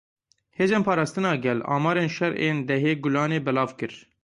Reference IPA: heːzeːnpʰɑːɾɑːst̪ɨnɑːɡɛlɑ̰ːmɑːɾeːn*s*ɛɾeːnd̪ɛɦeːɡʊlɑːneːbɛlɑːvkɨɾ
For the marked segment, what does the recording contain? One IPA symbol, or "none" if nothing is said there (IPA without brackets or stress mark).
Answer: ʃ